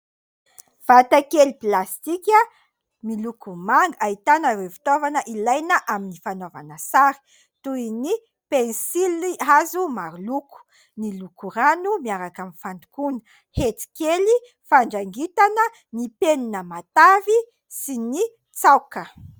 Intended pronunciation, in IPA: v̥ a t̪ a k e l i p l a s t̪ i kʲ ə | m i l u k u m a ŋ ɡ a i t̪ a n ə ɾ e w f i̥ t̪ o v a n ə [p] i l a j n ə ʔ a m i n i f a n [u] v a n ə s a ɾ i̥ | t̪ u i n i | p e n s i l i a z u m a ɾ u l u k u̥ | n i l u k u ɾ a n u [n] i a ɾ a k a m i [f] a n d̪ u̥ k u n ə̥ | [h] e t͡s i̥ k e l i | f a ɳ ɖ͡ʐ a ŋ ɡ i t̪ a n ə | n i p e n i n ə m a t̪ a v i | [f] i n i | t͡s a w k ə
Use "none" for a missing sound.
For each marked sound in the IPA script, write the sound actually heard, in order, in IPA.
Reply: ʔ, o, m, f, h, s

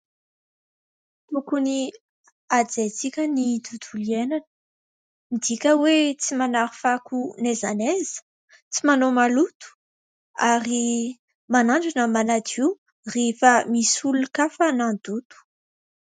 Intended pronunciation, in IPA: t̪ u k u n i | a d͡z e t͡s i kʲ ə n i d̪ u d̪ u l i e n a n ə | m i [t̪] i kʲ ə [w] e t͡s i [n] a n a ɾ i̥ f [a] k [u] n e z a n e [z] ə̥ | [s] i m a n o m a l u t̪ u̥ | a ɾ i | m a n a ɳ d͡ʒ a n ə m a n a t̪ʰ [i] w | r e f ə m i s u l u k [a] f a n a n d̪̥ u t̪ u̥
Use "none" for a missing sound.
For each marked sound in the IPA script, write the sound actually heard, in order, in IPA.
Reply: d̪, w, m, a, u, z, t͡s, i, a

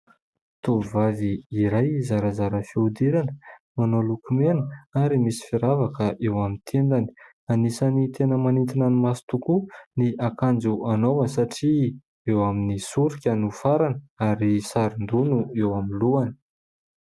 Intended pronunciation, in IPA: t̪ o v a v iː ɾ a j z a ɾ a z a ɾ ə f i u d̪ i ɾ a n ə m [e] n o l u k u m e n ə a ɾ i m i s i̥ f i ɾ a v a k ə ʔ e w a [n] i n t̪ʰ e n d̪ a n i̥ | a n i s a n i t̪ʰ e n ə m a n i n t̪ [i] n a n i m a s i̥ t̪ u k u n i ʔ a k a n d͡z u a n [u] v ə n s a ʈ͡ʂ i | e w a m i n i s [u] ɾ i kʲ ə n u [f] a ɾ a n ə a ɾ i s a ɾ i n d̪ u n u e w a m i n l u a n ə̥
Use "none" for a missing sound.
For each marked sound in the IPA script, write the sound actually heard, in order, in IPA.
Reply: a, m, i, o, u, f

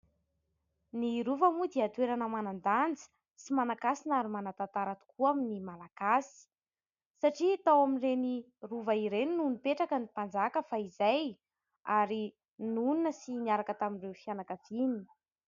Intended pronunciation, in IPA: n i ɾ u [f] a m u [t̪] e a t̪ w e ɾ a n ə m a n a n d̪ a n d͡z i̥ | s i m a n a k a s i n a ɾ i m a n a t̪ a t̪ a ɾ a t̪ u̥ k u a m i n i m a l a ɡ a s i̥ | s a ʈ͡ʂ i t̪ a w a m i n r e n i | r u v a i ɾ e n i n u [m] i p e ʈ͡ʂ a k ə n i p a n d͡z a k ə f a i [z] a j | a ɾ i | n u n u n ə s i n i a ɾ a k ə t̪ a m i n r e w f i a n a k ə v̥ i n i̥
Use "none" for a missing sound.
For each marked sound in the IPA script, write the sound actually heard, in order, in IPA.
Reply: v, d̪, n, z

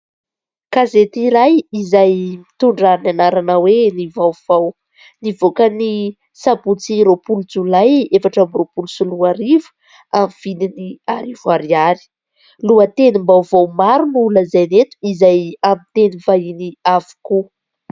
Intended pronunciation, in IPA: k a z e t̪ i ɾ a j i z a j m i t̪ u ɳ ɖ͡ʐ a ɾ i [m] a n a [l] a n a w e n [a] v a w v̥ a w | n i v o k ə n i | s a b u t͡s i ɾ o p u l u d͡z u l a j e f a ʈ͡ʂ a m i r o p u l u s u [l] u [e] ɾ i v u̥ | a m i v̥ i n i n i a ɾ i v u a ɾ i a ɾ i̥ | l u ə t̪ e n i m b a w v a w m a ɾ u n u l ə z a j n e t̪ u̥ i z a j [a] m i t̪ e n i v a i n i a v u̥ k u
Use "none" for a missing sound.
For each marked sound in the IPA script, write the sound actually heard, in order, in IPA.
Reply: n, ɾ, i, l, a, a

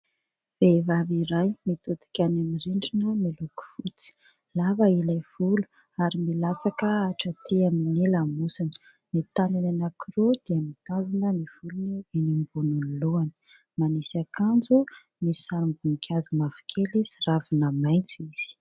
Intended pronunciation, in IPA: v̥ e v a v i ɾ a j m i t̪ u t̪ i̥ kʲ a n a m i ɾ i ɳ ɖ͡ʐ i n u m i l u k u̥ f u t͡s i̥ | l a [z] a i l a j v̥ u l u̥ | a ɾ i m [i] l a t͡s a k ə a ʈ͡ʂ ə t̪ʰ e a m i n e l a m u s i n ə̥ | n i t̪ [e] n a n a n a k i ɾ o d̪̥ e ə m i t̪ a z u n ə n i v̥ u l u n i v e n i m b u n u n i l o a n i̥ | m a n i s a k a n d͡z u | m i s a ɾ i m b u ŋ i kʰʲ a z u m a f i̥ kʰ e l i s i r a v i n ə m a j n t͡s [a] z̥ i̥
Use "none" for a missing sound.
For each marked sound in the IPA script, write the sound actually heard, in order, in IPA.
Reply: v, i, a, i

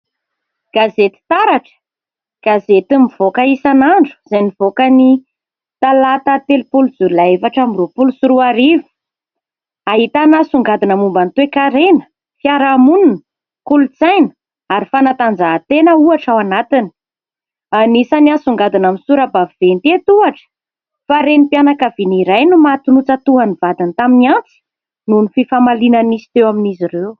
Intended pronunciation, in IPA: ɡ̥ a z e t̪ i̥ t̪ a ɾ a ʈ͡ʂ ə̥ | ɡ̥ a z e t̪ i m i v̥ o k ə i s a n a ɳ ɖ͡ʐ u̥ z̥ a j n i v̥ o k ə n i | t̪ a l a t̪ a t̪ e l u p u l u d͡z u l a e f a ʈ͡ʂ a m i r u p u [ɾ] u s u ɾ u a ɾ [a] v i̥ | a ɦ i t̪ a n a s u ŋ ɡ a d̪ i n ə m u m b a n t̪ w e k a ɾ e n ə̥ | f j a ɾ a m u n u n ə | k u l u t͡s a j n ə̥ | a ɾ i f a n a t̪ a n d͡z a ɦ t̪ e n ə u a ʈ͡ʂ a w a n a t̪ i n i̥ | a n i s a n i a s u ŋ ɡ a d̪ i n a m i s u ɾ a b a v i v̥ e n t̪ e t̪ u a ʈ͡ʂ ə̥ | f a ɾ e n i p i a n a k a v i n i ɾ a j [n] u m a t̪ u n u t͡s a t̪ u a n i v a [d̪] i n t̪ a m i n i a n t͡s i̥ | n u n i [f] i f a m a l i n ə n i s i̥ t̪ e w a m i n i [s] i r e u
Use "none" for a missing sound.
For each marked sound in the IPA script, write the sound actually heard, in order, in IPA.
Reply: l, i, n, d̪, f, z

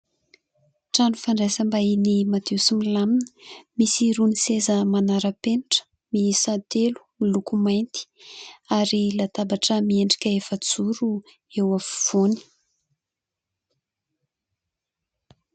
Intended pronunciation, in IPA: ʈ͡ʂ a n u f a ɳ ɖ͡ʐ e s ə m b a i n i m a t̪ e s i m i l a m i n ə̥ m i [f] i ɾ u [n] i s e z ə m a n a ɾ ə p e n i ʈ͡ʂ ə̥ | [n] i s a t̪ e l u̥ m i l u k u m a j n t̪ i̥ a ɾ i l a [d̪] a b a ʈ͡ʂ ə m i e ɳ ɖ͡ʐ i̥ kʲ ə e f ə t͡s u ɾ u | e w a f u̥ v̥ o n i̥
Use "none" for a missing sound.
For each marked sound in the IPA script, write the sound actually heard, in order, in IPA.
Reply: s, n, m, t̪

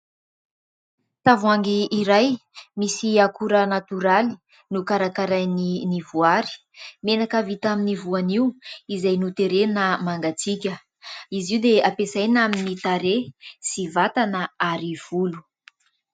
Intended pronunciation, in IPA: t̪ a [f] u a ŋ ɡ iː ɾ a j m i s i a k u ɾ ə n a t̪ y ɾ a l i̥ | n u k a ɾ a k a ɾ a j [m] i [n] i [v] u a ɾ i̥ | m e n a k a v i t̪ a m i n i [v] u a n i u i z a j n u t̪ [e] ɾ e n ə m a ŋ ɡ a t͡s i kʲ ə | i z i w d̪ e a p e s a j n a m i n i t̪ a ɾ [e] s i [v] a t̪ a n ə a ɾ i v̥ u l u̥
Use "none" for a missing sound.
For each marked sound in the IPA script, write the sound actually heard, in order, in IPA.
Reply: v, n, n, v, v, e, e, v

